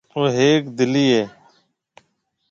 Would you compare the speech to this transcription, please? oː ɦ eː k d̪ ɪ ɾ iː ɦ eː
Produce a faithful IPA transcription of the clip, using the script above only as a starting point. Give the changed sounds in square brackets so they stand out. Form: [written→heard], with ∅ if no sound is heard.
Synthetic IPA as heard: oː ɦ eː k d̪ ɪ [ɾ→l] iː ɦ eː